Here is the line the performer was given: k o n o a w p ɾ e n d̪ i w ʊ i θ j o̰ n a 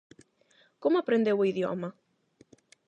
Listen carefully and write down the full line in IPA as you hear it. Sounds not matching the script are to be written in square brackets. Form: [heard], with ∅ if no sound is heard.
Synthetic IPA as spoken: k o [m] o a [∅] p ɾ e n d̪ [e] w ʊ i [ð] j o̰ [m] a